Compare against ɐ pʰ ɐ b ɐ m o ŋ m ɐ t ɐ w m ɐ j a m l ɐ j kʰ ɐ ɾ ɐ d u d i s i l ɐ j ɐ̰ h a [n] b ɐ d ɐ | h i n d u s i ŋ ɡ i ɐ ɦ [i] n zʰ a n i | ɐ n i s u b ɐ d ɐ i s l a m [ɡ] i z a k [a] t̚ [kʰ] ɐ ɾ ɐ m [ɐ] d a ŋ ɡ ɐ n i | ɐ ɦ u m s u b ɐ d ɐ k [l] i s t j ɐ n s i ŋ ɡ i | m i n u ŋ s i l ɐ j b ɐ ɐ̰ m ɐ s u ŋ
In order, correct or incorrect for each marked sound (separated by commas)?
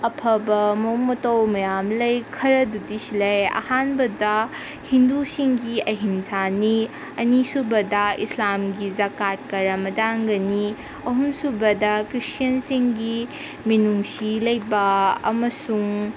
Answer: correct, correct, correct, correct, incorrect, correct, incorrect